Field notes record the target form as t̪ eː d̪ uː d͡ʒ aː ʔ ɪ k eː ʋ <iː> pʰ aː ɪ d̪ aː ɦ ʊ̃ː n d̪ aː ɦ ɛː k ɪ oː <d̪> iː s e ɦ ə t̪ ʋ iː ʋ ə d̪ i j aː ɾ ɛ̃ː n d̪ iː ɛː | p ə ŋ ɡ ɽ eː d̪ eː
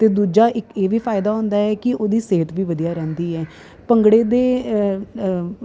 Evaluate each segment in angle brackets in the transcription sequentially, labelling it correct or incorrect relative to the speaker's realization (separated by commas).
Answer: correct, correct